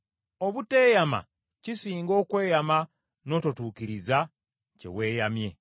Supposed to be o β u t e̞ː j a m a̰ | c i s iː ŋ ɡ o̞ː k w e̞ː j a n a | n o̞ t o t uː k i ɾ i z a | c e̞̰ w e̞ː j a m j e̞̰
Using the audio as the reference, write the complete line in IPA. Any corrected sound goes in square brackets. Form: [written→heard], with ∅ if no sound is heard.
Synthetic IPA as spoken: o β u t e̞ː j a m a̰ | c i s iː ŋ ɡ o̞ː k w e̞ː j a [n→m] a | n o̞ t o t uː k i ɾ i z a | c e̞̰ w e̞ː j a m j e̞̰